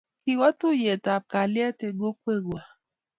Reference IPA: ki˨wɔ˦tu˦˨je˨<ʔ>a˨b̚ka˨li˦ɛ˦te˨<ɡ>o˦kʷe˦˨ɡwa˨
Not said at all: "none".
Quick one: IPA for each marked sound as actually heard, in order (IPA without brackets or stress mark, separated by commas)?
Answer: t, ɡ